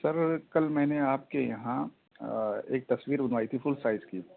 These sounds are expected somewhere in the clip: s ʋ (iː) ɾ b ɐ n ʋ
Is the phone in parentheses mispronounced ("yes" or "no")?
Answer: no